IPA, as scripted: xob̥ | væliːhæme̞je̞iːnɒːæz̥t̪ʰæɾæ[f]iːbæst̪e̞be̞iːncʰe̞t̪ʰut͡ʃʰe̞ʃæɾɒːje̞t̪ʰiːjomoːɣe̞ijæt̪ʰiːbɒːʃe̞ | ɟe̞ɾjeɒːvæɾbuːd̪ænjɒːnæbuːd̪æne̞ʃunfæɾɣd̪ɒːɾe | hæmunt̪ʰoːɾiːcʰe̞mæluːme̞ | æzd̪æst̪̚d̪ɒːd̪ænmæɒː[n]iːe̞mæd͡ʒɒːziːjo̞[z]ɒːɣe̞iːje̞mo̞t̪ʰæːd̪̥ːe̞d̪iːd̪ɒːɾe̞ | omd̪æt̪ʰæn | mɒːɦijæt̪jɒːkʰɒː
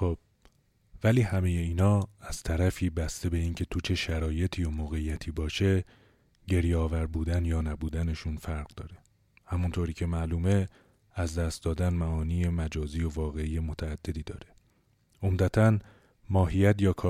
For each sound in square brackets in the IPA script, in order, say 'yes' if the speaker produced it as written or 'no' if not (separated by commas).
yes, yes, no